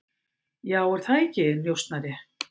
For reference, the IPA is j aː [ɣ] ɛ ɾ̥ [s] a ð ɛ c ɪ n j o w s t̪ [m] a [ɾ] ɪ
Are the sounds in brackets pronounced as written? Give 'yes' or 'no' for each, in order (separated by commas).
no, no, no, yes